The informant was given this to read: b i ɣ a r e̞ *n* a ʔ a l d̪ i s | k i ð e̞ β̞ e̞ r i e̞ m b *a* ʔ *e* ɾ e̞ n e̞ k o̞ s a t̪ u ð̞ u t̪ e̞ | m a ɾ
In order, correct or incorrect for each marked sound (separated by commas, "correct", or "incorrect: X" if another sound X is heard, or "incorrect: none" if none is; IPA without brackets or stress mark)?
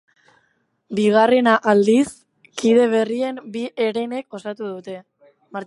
correct, incorrect: i, correct